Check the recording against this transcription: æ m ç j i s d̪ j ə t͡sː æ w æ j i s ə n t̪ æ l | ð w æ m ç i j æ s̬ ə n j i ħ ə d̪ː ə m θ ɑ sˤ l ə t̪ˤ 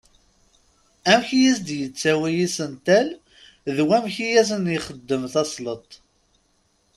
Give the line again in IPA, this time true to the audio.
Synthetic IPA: æ m ç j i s d̪ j ə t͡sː æ w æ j i s ə n t̪ æ l | ð w æ m ç i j æ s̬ ə n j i χ ə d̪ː ə m θ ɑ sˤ l ə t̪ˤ